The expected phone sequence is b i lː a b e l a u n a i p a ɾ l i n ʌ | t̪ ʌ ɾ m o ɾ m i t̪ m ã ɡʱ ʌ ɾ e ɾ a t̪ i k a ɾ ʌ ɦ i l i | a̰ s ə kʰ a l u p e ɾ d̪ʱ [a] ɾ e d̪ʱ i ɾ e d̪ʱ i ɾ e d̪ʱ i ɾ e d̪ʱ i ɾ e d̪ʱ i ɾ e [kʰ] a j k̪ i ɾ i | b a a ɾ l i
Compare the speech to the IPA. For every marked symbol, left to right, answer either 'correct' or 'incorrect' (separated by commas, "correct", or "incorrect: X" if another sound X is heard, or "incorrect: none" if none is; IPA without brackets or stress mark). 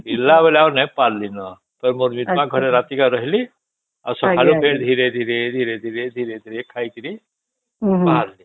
incorrect: i, correct